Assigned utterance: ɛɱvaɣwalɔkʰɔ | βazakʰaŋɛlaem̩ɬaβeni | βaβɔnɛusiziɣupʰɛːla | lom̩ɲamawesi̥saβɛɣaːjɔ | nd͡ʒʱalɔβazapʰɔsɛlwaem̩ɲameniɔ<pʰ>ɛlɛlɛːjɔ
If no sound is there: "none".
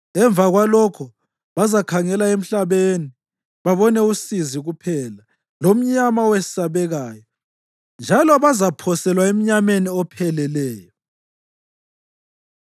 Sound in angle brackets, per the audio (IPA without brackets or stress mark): pʰ